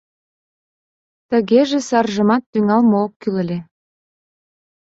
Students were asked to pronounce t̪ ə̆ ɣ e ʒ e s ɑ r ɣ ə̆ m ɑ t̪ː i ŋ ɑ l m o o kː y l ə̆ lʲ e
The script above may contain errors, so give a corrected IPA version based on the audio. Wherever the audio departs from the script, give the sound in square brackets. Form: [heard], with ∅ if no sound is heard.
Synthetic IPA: t̪ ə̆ ɣ e ʒ e s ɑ r [ʒ] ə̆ m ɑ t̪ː [y] ŋ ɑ l m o o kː y l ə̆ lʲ e